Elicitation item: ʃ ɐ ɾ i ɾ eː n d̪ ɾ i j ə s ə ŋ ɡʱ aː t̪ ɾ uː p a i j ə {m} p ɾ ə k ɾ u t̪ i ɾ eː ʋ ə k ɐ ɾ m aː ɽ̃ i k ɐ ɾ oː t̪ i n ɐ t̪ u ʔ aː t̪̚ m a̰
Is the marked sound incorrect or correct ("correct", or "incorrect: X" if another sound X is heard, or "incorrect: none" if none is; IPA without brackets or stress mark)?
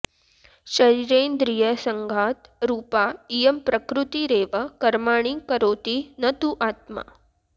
correct